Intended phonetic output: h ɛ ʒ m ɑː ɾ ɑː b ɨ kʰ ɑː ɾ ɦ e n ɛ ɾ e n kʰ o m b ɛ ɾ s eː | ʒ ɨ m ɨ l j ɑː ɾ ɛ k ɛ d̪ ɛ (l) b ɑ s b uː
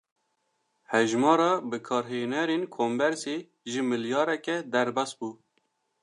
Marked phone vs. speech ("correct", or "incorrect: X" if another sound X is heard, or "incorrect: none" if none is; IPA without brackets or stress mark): incorrect: ɾ